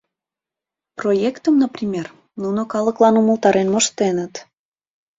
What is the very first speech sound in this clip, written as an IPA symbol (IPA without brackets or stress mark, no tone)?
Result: p